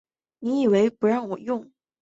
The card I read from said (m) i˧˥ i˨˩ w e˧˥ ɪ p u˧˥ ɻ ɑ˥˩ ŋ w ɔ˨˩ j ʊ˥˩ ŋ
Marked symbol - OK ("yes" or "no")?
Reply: no